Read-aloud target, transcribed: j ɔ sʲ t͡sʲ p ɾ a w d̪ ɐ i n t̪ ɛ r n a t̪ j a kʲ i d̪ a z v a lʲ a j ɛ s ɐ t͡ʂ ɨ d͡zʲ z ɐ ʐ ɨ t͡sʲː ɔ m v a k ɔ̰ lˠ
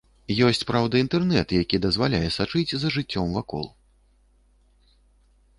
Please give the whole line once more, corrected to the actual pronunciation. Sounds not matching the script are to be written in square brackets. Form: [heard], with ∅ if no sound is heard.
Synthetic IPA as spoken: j ɔ sʲ t͡sʲ p ɾ a w d̪ ɐ i n t̪ ɛ r n [ɛ] t̪ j a kʲ i d̪ [ɐ] z v a lʲ a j ɛ s [a] t͡ʂ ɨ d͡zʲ z ɐ ʐ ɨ t͡sʲː ɔ m v a k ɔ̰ lˠ